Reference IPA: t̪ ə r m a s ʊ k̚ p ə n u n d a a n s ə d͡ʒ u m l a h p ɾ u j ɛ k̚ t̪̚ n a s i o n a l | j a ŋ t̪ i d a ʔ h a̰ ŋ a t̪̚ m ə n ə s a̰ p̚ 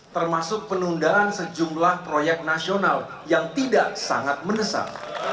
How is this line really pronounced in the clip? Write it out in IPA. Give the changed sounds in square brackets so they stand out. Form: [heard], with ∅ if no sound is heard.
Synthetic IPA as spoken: t̪ ə r m a s ʊ k̚ p ə n u n d a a n s ə d͡ʒ u m l a h p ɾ [o] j ɛ k̚ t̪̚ n a s i o n a l | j a ŋ t̪ i d a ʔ [s] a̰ ŋ a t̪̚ m ə n ə s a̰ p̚